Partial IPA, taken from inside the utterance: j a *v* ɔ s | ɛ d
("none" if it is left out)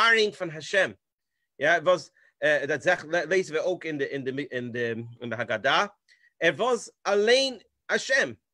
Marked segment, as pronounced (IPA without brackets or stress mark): v